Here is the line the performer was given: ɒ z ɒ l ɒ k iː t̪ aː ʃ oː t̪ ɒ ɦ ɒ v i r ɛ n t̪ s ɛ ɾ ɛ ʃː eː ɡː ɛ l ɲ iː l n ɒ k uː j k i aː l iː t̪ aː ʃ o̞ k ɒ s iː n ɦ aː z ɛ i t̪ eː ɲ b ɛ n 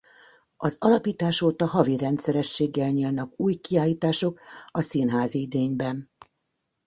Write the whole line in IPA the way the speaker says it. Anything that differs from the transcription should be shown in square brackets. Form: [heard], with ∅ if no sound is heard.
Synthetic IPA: ɒ z ɒ l ɒ [p] iː t̪ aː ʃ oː t̪ ɒ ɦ ɒ v i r ɛ n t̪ s ɛ ɾ ɛ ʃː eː ɡː ɛ l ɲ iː l n ɒ k uː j k i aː l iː t̪ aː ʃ o̞ k ɒ s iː n ɦ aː z [i] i [d̪] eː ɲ b ɛ n